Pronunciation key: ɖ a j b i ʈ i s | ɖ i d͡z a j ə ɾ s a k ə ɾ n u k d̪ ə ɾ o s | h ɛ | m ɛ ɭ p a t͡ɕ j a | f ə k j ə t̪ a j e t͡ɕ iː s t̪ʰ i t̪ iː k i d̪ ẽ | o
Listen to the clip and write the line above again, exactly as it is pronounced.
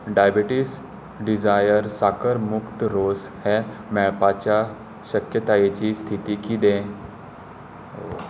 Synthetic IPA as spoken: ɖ a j b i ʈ i s | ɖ i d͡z a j ə ɾ s a k ə ɾ m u k t̪ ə ɾ o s | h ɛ | m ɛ ɭ p a t͡ɕ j a | ɕ ə k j ə t̪ a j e t͡ɕ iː s t̪ʰ i t̪ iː k i d̪ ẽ | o